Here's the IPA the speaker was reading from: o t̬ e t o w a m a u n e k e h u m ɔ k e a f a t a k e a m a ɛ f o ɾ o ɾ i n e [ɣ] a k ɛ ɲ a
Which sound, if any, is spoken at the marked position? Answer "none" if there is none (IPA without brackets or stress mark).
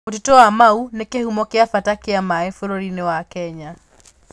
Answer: w